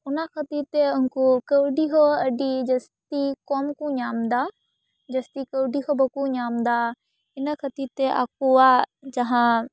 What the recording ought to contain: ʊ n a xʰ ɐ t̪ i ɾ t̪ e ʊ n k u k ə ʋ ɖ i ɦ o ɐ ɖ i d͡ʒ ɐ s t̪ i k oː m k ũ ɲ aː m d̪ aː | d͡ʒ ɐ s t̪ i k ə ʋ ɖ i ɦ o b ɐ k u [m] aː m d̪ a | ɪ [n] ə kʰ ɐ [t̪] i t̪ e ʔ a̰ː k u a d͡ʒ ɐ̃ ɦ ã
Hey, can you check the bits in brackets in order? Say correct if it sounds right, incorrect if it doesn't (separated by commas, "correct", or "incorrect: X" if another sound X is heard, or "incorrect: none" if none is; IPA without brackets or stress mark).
incorrect: ɲ, correct, correct